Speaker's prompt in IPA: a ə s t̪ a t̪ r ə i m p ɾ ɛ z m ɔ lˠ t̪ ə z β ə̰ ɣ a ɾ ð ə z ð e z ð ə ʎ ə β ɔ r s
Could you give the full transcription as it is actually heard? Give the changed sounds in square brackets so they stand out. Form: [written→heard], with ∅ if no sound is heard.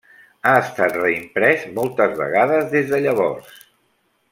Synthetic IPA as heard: a ə s t̪ a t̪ r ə i m p ɾ ɛ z m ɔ lˠ t̪ ə z β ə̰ ɣ a [ɾ→∅] ð ə z ð e z ð ə ʎ ə β ɔ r s

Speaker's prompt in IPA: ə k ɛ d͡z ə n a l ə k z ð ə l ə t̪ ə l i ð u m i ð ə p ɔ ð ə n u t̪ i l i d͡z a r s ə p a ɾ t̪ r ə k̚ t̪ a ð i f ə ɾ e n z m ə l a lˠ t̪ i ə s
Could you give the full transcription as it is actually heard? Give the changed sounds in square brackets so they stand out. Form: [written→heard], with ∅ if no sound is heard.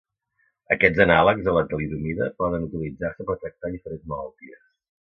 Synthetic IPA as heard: ə k ɛ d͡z ə n a l ə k z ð ə l ə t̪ ə l i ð u m i ð ə p ɔ ð ə n u t̪ i l i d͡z a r s ə p [a→ə] ɾ t̪ [r→ɾ] ə k̚ t̪ a ð i f ə ɾ e n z m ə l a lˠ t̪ i ə s

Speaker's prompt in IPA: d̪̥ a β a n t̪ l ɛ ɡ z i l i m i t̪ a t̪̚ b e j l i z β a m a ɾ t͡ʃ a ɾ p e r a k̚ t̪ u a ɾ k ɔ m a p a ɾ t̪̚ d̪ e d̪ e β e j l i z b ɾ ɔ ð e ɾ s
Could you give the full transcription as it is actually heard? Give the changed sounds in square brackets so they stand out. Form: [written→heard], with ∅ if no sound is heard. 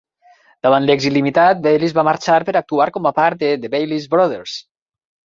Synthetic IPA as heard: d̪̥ a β a n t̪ l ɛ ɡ z i l i m i t̪ a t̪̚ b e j l i z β a m a ɾ t͡ʃ a ɾ p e [r→ɾ] a k̚ t̪ u a ɾ k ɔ m a p a ɾ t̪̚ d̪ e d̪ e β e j l i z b ɾ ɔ ð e ɾ s

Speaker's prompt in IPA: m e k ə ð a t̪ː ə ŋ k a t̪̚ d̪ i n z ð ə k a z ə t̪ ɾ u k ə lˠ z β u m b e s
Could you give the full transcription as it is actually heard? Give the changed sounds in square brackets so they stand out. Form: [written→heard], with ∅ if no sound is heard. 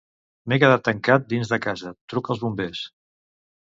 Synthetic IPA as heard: m e k ə ð a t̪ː ə ŋ k a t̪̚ d̪ i n z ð ə k a z ə t̪ ɾ u k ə lˠ z β u m b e s

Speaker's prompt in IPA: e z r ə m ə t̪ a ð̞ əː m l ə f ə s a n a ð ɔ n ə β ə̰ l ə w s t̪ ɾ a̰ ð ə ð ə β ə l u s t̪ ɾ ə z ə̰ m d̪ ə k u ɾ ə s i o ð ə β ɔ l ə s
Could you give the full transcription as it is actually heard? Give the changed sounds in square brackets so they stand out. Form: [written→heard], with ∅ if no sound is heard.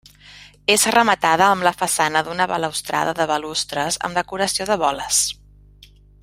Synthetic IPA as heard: e z r ə m ə t̪ a ð̞ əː m l ə f ə s a n [a→ə] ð [ɔ→u] n ə β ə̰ l ə w s t̪ ɾ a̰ ð ə ð ə β ə l u s t̪ ɾ ə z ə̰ m d̪ ə k u ɾ ə s i o ð ə β ɔ l ə s

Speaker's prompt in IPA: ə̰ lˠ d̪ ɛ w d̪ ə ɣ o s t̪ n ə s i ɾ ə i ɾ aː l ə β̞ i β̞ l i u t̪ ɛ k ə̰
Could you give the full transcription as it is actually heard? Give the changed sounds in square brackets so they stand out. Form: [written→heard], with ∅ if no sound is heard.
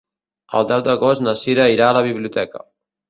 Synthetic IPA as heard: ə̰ lˠ d̪ ɛ w d̪ ə ɣ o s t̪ n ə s i ɾ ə i ɾ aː l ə β̞ i β̞ l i u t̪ ɛ k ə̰

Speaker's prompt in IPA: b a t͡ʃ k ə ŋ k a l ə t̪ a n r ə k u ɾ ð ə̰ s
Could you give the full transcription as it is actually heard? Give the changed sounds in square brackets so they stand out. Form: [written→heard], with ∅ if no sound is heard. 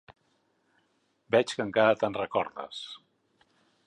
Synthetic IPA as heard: b [a→ɛ] t͡ʃ k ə ŋ k a [l→ɾ] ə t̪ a n r ə k [u→ɔ] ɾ ð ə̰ s

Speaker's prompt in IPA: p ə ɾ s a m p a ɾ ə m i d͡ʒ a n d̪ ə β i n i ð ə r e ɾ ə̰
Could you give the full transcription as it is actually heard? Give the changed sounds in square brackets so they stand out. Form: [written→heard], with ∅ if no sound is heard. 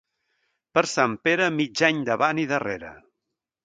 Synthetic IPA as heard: p ə ɾ s a m p [a→e] ɾ ə m i d͡ʒ a [n→ɲ] d̪ ə β [i→a] n i ð ə r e ɾ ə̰

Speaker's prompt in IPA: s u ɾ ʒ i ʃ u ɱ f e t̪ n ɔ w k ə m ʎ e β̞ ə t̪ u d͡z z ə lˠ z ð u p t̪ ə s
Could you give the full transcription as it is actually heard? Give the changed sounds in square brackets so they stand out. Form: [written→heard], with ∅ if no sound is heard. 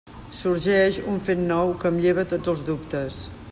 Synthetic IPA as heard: s u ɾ ʒ [i→ɛ] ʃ u ɱ f e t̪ n ɔ w k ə m ʎ e β̞ ə t̪ [u→o] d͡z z ə lˠ z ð u p t̪ ə s

